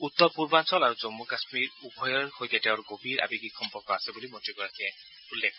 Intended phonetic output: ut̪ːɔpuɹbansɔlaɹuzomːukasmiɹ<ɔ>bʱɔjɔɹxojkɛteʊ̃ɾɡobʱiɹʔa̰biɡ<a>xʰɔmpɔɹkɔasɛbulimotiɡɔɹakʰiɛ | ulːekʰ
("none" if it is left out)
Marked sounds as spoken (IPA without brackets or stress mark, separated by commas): u, i